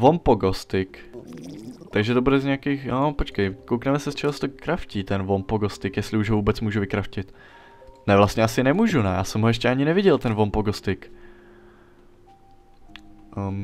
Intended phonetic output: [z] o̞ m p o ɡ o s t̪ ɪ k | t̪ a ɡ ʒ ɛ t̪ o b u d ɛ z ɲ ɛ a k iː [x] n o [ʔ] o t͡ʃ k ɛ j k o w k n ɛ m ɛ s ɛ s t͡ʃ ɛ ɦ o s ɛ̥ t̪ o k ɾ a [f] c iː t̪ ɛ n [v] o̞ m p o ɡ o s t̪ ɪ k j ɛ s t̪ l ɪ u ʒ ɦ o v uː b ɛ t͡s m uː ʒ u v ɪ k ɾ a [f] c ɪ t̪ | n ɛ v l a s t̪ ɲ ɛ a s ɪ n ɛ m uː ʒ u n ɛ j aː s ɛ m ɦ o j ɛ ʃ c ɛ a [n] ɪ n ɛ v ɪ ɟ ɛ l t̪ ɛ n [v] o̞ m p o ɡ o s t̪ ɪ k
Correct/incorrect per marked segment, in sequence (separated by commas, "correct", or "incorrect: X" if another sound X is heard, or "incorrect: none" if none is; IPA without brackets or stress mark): incorrect: v, correct, incorrect: p, correct, correct, correct, incorrect: ɲ, correct